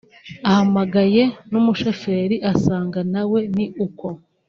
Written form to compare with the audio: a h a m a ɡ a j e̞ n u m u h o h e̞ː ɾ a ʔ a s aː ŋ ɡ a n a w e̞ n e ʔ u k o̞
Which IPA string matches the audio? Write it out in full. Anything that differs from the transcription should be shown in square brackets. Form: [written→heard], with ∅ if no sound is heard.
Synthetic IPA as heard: a h a m a ɡ a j e̞ n u m u [h→ʃ] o [h→f] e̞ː ɾ [a→i] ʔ a s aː ŋ ɡ a n a w e̞ n [e→i] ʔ u k o̞